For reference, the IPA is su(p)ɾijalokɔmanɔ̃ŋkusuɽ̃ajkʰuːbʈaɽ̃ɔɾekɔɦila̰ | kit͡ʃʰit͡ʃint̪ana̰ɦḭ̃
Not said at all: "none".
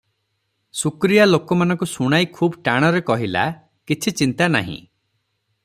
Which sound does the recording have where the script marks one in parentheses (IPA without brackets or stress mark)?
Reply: k